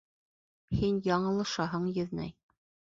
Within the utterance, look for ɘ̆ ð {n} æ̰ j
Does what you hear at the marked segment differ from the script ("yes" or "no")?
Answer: no